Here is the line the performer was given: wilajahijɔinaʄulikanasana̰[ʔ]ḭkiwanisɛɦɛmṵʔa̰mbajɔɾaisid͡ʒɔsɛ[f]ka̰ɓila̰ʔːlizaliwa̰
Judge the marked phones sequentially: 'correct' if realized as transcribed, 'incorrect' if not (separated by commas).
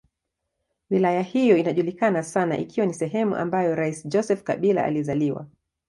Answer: correct, correct